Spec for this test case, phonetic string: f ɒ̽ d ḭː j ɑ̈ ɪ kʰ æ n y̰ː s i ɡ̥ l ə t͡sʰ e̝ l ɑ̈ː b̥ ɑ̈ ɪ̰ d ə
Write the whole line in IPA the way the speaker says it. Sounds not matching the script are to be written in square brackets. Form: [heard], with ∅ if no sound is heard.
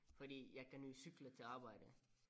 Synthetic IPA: f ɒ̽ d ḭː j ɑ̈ ɪ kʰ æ n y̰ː s [y] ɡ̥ l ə t͡sʰ e̝ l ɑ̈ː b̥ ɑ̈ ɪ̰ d ə

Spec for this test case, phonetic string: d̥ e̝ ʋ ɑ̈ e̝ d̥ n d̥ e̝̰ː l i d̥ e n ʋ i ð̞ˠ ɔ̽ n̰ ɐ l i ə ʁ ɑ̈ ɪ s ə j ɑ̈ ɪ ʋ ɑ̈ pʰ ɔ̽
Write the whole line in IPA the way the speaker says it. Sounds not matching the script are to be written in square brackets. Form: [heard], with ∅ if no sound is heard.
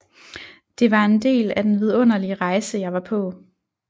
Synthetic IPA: d̥ e̝ ʋ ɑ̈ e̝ [∅] n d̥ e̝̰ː l [æ] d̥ e n ʋ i ð̞ˠ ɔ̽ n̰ ɐ l i ə ʁ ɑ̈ ɪ s ə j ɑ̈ ɪ ʋ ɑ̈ pʰ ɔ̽

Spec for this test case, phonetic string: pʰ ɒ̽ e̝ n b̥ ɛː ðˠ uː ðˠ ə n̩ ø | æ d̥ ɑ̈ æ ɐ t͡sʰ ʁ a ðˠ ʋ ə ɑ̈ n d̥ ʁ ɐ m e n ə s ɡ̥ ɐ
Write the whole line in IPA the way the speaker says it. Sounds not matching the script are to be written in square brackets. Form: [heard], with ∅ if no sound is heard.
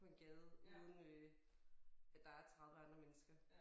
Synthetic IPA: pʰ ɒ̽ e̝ n [ɡ̥] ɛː ðˠ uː ðˠ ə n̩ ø | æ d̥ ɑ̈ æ ɐ t͡sʰ ʁ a ðˠ ʋ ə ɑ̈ n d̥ ʁ ɐ m e n ə s ɡ̥ ɐ

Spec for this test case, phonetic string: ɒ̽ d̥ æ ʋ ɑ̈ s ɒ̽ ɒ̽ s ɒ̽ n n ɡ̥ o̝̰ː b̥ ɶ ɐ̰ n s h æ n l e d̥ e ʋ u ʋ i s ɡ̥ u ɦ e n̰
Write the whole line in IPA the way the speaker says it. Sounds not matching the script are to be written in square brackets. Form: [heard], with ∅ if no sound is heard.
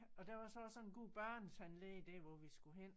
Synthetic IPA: ɒ̽ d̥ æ ʋ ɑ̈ s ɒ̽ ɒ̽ s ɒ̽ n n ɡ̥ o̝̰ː b̥ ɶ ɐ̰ n s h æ n l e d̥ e ʋ [ɒ] ʋ i s ɡ̥ u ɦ e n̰

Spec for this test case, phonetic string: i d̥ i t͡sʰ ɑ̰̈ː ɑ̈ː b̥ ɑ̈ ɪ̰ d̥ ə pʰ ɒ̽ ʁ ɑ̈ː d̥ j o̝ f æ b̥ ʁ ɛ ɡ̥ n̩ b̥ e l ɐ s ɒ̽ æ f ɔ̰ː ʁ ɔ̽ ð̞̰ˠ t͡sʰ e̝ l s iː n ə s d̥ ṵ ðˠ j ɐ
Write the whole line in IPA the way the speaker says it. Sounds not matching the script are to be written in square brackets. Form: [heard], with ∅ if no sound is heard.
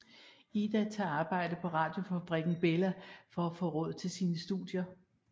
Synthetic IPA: i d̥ [æ] t͡sʰ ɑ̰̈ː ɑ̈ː b̥ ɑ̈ ɪ̰ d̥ ə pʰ ɒ̽ ʁ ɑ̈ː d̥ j o̝ f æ b̥ ʁ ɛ ɡ̥ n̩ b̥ e l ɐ [f] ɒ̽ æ f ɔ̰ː ʁ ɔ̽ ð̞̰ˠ t͡sʰ e̝ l s iː n ə s d̥ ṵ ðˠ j ɐ

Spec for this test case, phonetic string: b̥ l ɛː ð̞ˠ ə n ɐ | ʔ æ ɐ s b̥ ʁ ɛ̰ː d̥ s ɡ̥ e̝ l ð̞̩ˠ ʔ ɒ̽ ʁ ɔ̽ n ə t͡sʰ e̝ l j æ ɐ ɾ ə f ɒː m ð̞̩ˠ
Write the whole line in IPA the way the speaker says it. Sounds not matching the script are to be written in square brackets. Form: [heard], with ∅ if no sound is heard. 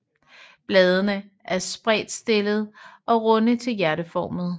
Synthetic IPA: b̥ l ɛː ð̞ˠ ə n [ə] | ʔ æ ɐ s b̥ ʁ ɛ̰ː d̥ s [d̥] e̝ l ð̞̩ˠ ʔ ɒ̽ ʁ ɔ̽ n ə t͡sʰ e̝ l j æ ɐ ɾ ə f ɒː m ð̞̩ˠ

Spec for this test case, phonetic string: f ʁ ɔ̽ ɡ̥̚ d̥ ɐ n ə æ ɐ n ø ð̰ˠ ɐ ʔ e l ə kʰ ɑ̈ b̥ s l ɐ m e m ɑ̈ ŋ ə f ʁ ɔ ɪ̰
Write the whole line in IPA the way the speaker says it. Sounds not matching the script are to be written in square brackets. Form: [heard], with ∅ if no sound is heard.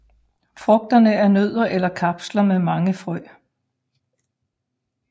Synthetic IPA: f ʁ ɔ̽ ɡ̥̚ d̥ ɐ n ə æ ɐ n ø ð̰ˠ ɐ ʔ e l [ɐ] kʰ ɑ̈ b̥ s l ɐ m e m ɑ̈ ŋ ə f ʁ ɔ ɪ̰

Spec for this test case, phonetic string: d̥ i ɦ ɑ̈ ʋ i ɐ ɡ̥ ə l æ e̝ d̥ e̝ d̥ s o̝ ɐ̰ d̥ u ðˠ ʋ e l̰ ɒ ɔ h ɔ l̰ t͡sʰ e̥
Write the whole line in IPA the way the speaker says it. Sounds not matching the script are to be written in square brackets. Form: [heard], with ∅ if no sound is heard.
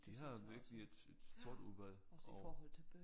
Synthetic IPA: d̥ i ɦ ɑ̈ ʋ i ɐ ɡ̥ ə l [i] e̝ d̥ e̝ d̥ s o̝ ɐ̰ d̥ u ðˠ ʋ [æ] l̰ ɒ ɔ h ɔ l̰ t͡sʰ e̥

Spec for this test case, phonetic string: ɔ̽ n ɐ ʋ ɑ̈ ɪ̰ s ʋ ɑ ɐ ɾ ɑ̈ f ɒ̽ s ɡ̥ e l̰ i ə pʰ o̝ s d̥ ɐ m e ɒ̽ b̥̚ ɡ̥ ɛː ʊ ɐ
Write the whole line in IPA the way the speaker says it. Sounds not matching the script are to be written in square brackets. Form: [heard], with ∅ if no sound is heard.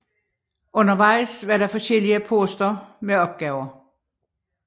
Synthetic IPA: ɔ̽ n ɐ ʋ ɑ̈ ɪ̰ s ʋ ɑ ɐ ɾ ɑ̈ f ɒ̽ s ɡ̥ e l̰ i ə pʰ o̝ s d̥ ɐ m e ɒ̽ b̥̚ ɡ̥ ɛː ʊ ɐ

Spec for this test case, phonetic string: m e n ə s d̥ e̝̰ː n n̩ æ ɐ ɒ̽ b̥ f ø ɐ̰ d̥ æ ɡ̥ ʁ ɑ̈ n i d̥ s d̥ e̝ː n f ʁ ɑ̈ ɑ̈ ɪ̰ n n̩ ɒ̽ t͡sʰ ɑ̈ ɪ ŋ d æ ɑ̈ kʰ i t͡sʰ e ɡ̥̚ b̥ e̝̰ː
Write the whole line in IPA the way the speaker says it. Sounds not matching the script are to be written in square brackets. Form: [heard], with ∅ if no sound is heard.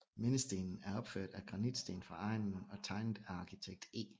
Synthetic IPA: m e n ə s d̥ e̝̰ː n n̩ æ ɐ ɒ̽ b̥ f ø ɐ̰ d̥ æ ɡ̥ ʁ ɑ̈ n i d̥ s d̥ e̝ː n f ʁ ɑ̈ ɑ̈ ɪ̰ n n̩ ɒ̽ t͡sʰ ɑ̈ ɪ [n] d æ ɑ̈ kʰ i t͡sʰ e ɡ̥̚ [d̥] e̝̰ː

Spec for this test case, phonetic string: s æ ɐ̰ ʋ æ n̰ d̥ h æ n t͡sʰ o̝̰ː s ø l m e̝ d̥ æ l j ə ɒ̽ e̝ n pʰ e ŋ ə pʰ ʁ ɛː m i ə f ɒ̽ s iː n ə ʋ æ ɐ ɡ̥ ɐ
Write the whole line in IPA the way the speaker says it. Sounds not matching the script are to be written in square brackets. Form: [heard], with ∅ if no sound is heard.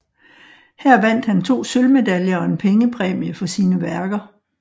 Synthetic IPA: [h] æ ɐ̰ ʋ æ n̰ d̥ h æ n t͡sʰ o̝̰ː s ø l m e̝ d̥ æ l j [ɐ] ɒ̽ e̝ n pʰ e ŋ ə pʰ ʁ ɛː m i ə f ɒ̽ s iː n ə ʋ æ ɐ ɡ̥ ɐ

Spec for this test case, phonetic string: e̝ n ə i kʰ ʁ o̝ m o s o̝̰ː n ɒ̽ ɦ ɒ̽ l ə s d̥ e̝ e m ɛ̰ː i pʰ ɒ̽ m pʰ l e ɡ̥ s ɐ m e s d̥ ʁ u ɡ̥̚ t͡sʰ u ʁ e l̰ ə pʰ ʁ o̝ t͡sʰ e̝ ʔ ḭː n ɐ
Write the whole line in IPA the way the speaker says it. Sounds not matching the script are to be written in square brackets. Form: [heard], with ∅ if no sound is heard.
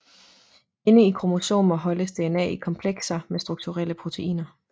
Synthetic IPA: e̝ n ə i kʰ ʁ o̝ m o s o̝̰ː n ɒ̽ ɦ ɒ̽ l ə s d̥ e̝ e [n] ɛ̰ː i [kʰ] ɒ̽ m pʰ l e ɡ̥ s ɐ m e s d̥ ʁ u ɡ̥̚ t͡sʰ u ʁ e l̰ ə pʰ ʁ o̝ t͡sʰ e̝ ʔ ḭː n ɐ

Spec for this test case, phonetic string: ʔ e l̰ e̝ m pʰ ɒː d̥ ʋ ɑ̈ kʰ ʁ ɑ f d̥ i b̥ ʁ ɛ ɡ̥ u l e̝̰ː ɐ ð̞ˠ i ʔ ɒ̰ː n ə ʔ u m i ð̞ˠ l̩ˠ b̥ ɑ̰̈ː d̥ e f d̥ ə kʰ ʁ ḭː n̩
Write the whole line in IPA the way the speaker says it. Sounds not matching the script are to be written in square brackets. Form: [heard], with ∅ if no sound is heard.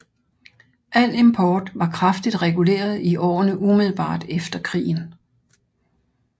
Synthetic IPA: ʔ [æ] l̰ e̝ m pʰ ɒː d̥ ʋ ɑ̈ kʰ ʁ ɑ f d̥ i [d̥] ʁ ɛ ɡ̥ u l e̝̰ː ɐ ð̞ˠ i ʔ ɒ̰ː n ə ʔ u m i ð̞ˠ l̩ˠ b̥ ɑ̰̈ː d̥ e f d̥ [ɐ] kʰ ʁ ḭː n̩

